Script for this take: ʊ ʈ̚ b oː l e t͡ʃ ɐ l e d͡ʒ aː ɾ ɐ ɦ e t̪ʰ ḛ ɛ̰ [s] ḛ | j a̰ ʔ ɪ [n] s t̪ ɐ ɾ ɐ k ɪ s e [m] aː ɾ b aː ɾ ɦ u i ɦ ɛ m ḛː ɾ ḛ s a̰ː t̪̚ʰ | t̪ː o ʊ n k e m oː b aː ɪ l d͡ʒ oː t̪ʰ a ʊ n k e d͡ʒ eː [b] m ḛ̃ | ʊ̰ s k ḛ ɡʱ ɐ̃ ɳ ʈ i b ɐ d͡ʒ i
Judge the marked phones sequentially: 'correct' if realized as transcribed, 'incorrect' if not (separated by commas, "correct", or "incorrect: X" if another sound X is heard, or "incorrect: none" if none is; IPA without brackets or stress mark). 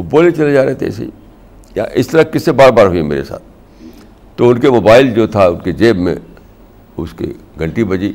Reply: correct, incorrect: none, incorrect: b, correct